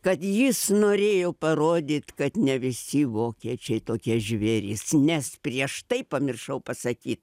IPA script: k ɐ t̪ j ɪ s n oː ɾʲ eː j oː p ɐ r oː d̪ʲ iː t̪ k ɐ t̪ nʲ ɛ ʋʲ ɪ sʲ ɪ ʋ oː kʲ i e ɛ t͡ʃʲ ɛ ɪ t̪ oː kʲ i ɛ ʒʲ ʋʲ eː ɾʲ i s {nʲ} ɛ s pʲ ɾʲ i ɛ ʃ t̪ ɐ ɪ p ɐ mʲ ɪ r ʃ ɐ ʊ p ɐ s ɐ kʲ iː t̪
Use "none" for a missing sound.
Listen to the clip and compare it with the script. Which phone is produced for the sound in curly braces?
nʲ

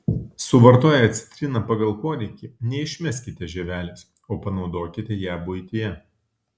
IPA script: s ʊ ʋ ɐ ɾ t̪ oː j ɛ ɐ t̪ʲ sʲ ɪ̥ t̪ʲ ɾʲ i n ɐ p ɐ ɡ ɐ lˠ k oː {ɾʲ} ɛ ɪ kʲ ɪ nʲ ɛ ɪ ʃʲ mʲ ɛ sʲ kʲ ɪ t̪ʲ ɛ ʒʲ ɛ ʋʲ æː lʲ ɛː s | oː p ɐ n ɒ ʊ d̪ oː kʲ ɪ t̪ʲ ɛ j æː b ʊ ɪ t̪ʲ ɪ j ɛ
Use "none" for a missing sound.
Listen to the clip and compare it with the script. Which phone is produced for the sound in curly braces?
ɾʲ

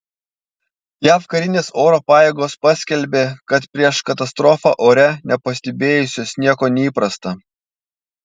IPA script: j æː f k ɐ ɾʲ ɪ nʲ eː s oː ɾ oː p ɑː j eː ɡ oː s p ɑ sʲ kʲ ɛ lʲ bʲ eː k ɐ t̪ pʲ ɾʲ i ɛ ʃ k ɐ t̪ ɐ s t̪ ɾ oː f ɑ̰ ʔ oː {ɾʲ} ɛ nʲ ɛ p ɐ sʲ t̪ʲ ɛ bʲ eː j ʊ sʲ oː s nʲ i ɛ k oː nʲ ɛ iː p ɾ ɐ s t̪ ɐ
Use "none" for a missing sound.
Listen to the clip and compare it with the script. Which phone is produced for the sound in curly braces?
ɾʲ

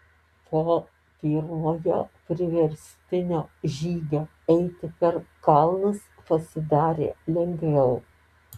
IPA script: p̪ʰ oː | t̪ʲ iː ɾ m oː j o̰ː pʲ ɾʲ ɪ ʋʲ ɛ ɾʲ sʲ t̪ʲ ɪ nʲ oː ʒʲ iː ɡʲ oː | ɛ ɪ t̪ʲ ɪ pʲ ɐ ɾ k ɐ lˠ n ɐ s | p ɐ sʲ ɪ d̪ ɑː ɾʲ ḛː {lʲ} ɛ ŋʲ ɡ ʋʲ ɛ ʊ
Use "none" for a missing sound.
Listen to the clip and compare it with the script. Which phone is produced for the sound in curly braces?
lʲ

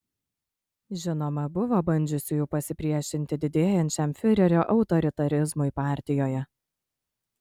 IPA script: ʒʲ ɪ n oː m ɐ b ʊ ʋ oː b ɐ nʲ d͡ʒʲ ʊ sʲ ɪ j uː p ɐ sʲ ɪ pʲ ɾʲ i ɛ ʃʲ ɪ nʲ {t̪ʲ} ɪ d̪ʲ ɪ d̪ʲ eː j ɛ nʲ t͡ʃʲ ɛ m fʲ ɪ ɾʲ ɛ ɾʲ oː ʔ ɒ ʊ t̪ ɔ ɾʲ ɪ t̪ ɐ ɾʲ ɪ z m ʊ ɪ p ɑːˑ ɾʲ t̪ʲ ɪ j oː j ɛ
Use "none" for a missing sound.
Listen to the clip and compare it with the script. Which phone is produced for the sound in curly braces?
t̪ʲ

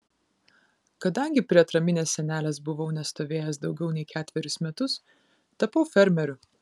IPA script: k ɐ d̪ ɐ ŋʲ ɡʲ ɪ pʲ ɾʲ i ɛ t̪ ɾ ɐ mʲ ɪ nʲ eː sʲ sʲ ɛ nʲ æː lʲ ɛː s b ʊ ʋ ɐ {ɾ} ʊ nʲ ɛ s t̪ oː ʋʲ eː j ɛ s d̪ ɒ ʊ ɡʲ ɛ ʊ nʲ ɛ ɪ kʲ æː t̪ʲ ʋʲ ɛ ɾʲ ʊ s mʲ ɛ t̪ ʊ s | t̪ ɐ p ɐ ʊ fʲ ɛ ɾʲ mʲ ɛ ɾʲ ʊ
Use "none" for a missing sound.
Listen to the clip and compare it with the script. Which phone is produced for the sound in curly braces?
none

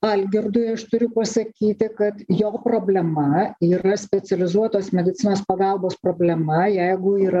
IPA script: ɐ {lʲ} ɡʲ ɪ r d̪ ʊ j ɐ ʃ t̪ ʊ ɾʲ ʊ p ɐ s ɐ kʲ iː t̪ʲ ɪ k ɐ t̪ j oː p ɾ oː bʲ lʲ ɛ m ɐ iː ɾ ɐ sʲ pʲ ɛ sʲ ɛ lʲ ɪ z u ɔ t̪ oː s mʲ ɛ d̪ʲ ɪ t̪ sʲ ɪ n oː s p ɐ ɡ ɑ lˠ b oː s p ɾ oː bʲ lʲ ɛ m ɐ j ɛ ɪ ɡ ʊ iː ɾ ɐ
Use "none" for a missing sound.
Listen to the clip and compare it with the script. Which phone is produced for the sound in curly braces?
lʲ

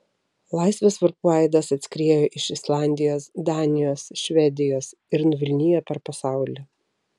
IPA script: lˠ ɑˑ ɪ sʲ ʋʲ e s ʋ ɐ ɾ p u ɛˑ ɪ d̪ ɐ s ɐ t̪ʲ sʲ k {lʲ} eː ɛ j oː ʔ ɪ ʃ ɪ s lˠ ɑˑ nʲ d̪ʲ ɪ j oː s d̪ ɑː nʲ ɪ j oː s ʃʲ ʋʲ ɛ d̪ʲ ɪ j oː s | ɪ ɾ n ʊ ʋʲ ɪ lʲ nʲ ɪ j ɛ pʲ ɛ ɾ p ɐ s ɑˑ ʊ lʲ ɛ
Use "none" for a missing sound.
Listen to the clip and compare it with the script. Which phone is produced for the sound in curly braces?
ɾʲ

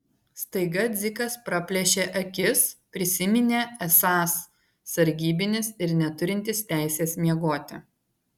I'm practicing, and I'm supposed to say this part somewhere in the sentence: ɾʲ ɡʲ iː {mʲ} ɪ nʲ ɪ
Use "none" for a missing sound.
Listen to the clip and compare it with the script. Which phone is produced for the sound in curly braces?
bʲ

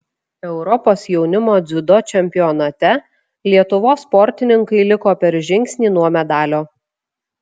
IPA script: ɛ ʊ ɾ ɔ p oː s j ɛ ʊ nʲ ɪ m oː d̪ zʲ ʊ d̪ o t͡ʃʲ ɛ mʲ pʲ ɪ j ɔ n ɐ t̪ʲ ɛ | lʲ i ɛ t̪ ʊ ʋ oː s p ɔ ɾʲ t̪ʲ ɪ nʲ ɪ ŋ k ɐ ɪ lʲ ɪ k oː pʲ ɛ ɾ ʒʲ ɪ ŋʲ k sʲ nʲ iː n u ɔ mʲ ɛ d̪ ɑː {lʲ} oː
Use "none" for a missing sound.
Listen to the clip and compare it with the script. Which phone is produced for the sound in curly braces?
lʲ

